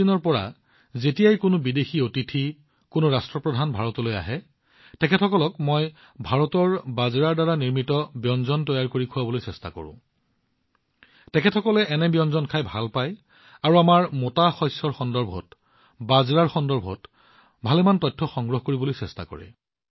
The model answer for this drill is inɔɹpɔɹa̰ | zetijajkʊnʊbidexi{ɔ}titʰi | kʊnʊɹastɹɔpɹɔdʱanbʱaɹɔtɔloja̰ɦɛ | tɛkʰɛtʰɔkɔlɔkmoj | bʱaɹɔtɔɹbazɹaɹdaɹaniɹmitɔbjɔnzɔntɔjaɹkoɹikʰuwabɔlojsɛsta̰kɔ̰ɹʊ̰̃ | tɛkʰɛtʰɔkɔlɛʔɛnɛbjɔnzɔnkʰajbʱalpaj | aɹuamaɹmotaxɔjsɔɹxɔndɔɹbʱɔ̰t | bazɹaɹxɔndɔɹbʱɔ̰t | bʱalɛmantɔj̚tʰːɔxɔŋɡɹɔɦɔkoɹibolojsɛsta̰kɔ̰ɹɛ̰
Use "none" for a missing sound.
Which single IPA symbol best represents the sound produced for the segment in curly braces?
o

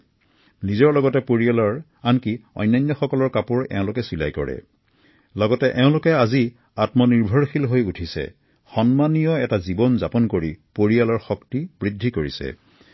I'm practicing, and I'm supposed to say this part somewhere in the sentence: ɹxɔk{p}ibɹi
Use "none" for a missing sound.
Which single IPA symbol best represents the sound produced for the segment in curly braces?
t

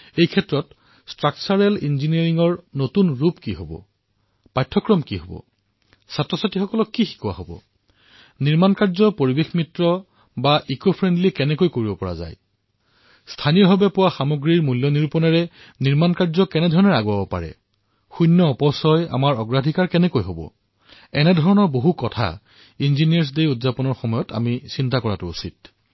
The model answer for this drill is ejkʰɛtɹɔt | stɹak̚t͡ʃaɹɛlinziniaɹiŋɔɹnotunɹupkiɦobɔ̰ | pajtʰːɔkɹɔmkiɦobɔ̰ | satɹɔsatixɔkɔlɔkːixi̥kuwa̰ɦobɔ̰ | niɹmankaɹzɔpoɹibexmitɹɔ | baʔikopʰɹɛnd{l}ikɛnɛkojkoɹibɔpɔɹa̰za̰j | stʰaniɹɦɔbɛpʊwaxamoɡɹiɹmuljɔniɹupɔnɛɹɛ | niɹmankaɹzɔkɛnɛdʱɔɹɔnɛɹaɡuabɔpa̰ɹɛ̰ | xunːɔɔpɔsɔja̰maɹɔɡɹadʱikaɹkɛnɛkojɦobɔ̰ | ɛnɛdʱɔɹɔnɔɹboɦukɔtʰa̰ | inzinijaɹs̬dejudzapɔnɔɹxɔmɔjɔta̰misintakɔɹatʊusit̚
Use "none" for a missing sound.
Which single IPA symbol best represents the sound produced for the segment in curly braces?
l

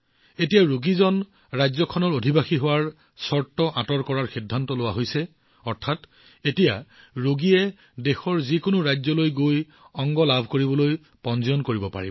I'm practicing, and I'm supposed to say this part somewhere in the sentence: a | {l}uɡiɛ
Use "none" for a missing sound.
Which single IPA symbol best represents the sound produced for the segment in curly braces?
ɹ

